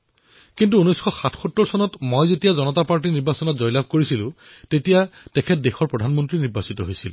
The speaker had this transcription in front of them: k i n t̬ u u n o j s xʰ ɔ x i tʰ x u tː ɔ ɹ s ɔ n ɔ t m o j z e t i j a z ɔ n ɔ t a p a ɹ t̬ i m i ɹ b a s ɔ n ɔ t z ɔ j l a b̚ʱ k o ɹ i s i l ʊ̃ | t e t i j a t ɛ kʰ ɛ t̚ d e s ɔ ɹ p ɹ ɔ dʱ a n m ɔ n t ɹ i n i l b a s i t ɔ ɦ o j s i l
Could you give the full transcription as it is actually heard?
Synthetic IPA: k i n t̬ u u n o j s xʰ ɔ x a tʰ x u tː ɔ ɹ s ɔ n ɔ t m o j z e t i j a z ɔ n ɔ t a p a ɹ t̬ i n i ɹ b a s ɔ n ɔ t z ɔ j l a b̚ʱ k o ɹ i s i l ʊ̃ | t e t i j a t ɛ kʰ ɛ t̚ d e x ɔ ɹ p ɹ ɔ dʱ a n m ɔ n t ɹ i n i ɹ b a s i t ɔ ɦ o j s i l